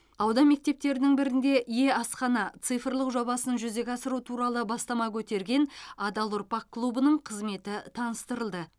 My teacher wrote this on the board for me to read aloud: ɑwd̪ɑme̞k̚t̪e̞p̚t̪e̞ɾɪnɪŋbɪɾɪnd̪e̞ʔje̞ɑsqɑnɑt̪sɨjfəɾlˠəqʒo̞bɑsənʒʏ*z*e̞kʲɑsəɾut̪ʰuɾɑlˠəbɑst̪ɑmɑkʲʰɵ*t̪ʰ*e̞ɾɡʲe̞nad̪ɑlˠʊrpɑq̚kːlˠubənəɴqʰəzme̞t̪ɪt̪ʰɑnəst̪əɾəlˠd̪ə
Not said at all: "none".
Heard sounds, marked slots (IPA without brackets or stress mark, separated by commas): z, t̪